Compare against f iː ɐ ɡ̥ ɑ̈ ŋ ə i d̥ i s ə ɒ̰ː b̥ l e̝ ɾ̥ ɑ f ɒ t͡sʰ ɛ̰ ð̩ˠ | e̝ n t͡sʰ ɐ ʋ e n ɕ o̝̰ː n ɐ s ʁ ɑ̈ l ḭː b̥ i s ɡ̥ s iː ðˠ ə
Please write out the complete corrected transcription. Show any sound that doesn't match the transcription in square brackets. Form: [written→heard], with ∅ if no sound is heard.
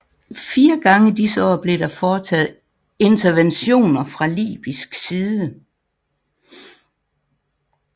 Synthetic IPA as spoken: f iː ɐ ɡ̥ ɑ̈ ŋ ə i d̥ i s ə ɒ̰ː b̥ l e̝ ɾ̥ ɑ f [ɒ→ɒː] t͡sʰ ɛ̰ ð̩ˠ | e̝ n t͡sʰ ɐ ʋ e n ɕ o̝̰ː n ɐ [s→f] ʁ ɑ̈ l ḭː b̥ i s ɡ̥ s iː ðˠ ə